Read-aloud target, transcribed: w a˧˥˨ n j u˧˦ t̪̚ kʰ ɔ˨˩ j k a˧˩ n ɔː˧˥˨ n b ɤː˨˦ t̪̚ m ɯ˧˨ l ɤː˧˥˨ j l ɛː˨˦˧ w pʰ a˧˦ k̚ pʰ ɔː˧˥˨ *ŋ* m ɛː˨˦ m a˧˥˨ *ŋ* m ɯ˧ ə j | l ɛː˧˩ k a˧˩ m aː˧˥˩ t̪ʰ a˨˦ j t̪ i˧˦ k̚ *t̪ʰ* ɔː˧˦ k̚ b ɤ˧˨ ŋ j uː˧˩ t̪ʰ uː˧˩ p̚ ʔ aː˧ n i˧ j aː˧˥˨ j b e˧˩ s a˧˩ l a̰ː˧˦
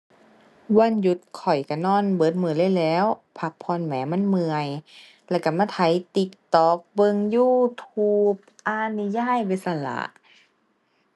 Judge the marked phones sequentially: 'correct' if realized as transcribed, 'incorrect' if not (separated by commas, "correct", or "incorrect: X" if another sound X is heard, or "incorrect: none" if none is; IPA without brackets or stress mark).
incorrect: n, incorrect: n, incorrect: t̪